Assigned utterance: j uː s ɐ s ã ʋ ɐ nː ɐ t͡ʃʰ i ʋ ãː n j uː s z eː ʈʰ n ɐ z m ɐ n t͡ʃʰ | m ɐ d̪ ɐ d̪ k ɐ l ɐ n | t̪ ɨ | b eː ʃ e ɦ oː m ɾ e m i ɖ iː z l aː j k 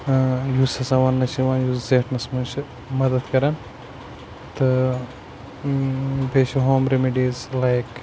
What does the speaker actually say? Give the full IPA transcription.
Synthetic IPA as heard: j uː s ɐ s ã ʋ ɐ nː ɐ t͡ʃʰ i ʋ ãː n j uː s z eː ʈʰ n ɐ s m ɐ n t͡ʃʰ | m ɐ d̪ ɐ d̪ k ɐ ɾ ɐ n | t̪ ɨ | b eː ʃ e ɦ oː m ɾ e m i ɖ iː z l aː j k